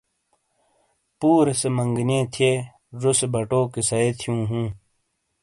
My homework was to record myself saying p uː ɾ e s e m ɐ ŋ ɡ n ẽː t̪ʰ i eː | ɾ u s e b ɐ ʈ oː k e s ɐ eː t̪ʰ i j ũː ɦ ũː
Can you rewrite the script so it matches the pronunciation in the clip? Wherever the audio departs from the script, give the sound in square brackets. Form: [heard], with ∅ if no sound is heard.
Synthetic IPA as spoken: p uː ɾ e s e m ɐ ŋ ɡ n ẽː t̪ʰ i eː | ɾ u s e b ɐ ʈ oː k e s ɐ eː t̪ʰ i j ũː ɦ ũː